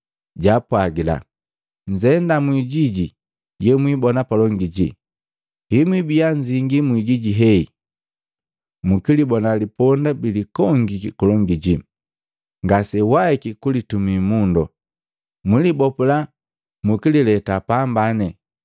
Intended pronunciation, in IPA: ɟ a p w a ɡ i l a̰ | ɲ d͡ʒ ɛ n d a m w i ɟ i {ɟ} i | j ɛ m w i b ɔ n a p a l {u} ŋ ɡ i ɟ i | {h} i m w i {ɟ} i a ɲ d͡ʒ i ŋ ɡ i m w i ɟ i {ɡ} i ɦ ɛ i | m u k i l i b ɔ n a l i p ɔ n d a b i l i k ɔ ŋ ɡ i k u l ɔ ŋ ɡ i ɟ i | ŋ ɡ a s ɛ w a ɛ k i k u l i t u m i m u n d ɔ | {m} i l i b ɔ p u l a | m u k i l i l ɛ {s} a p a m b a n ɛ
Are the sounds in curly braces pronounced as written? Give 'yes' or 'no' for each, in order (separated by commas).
yes, no, yes, no, no, yes, no